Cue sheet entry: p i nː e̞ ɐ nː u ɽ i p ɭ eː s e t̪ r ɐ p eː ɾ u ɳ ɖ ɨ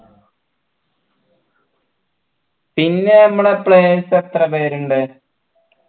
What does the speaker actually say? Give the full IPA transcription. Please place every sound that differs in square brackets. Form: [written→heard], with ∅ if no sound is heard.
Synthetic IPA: p i nː e̞ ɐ [nː→mː] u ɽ [i→e] p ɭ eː s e t̪ r ɐ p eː ɾ u ɳ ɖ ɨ

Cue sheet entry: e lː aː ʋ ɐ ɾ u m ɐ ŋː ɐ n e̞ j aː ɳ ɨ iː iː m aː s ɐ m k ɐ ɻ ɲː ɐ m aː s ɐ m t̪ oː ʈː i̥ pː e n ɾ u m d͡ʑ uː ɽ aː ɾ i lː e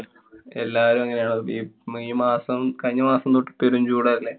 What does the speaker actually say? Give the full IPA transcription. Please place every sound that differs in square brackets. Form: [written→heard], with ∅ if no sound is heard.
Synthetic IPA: e lː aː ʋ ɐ ɾ u m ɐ ŋː ɐ n e̞ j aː ɳ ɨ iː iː m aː s ɐ m k ɐ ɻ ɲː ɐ m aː s ɐ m t̪ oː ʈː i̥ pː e [n→∅] ɾ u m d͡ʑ uː ɽ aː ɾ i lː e

